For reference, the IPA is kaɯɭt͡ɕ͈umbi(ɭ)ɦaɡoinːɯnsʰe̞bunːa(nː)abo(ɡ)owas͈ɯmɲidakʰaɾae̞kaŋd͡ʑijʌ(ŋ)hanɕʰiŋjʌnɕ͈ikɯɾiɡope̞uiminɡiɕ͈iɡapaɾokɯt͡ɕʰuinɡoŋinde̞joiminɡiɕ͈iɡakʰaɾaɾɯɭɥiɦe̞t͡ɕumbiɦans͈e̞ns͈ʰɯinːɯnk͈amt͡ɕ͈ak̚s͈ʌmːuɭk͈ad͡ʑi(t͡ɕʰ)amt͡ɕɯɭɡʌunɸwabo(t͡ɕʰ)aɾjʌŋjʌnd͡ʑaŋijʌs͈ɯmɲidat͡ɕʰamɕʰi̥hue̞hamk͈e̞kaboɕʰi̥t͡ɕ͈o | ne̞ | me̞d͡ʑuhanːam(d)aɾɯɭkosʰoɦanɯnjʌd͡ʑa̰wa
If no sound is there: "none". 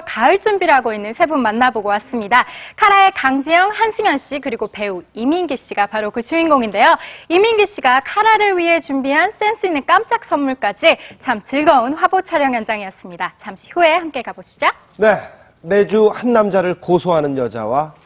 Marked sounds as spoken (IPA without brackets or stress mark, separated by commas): ɾ, nː, ɡ, ŋ, t͡ɕʰ, t͡ɕʰ, d͡ʑ